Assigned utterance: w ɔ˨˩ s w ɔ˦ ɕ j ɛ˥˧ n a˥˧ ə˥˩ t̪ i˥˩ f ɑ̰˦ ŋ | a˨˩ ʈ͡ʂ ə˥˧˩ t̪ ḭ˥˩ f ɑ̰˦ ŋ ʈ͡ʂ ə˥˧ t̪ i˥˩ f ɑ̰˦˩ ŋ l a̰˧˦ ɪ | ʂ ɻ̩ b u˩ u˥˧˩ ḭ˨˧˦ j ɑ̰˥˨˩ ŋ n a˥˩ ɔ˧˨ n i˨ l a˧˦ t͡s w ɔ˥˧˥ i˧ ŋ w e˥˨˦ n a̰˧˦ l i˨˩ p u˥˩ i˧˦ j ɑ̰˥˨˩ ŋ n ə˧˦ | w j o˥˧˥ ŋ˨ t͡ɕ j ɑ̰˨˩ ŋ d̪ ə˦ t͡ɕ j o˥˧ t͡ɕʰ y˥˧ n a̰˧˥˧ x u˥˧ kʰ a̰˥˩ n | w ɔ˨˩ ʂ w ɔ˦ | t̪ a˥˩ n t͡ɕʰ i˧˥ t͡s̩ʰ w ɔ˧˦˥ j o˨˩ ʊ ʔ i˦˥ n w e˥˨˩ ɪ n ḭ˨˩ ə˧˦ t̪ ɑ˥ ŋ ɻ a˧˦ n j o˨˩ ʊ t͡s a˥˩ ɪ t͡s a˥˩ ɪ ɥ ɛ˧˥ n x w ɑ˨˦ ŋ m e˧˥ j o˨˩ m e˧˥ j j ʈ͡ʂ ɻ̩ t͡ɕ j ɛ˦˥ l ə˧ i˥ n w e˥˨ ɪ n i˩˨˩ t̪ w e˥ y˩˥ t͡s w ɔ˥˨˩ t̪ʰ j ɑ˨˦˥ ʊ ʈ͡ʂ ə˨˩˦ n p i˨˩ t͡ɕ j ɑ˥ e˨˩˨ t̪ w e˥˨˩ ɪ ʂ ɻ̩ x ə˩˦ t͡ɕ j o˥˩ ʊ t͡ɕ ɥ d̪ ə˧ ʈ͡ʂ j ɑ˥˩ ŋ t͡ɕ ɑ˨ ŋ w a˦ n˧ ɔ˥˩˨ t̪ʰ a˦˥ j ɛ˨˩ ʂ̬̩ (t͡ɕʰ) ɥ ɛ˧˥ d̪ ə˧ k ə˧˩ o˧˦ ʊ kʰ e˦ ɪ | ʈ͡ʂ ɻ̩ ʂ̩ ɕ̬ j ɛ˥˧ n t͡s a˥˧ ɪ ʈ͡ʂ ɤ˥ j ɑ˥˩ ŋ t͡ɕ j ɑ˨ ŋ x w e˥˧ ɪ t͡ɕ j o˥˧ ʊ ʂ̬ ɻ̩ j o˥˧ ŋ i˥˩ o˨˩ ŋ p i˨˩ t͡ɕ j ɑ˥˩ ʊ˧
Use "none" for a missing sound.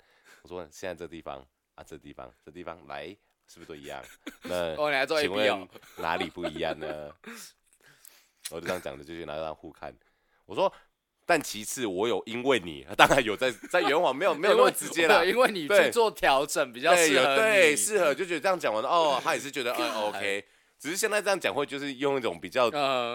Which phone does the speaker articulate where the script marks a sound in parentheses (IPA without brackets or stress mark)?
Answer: t͡ɕ